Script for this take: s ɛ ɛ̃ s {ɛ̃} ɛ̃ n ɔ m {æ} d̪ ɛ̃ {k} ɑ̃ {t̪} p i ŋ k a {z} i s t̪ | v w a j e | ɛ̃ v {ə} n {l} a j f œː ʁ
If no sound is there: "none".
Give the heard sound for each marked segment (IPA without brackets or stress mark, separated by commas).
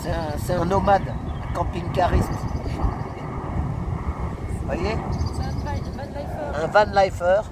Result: ɛ, a, k, none, ʁ, a, l